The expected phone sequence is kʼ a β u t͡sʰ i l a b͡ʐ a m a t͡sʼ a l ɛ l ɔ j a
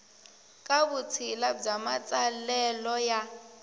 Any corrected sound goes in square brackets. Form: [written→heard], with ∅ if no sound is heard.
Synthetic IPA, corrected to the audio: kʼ a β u t͡sʰ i l a b͡ʐ a m a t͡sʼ a l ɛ l ɔ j a